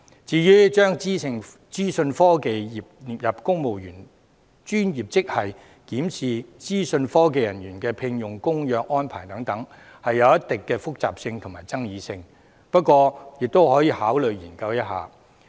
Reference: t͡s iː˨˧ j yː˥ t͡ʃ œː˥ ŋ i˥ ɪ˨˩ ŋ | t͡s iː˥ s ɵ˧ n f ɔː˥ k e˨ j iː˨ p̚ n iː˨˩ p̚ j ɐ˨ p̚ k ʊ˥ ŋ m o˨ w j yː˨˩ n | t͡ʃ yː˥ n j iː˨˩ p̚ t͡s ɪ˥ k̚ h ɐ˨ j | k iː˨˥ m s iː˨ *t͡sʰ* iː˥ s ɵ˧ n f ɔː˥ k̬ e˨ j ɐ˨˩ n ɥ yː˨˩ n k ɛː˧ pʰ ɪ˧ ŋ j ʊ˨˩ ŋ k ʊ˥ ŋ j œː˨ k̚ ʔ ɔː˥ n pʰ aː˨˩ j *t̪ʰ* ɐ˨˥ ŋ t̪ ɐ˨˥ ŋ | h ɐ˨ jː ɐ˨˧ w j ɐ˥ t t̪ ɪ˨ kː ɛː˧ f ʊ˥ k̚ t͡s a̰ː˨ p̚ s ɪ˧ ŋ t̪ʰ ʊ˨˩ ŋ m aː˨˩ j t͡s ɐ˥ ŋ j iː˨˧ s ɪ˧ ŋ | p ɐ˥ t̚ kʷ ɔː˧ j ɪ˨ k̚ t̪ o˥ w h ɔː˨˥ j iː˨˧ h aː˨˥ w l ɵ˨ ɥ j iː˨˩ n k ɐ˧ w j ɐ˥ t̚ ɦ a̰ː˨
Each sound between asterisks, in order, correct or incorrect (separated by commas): incorrect, incorrect